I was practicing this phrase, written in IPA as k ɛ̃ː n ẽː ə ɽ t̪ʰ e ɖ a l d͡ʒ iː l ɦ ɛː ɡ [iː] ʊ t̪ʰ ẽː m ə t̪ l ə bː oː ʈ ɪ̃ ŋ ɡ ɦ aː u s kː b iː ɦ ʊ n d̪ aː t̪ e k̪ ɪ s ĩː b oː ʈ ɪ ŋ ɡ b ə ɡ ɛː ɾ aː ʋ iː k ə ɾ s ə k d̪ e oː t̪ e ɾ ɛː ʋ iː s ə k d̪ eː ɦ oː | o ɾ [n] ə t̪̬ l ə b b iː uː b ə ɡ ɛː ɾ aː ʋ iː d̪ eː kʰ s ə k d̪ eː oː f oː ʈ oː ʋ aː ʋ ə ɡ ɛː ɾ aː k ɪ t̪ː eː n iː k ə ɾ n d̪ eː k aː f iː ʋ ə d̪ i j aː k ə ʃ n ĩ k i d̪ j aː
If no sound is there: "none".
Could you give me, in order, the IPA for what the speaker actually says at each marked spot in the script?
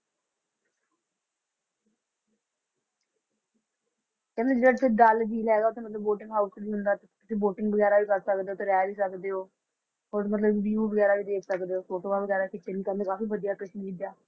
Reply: aː, m

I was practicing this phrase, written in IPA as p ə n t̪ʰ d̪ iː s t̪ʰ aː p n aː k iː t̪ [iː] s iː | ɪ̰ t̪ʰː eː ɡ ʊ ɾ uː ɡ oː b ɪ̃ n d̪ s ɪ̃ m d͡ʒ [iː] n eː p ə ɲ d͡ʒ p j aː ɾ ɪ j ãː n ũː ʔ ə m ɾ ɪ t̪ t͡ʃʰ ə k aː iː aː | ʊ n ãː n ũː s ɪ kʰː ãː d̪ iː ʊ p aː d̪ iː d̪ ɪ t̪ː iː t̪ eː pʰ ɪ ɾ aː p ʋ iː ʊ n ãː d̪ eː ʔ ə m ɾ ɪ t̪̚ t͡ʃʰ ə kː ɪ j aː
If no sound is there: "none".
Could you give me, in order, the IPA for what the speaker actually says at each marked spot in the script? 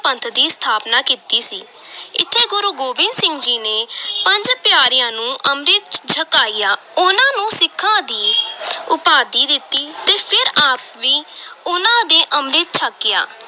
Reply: iː, iː

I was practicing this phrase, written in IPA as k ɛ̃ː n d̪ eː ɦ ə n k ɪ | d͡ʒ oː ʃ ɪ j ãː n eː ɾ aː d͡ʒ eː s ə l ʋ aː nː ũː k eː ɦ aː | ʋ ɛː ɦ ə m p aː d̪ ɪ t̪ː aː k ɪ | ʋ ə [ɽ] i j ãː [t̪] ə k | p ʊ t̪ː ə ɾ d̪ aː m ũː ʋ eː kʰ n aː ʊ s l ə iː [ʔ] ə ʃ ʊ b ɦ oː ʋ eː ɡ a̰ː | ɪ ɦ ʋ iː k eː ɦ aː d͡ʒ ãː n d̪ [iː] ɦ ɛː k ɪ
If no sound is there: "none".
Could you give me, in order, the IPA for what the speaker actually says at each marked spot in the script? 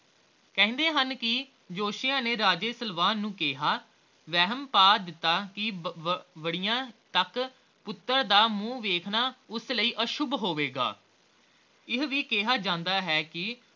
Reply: ɽ, t̪, ʔ, aː

